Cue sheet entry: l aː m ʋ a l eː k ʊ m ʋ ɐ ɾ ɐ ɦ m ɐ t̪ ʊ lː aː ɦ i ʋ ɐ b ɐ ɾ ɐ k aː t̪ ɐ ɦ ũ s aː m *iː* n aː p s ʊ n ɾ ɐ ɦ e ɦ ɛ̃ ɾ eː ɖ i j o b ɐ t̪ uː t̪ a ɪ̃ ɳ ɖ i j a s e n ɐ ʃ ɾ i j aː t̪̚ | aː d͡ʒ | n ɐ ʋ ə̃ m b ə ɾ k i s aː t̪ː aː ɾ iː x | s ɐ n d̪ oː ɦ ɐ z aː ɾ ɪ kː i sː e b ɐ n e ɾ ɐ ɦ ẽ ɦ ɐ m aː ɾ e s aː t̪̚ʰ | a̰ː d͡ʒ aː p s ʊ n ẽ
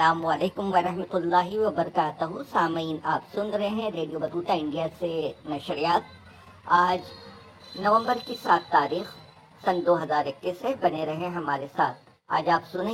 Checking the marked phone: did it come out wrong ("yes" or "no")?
no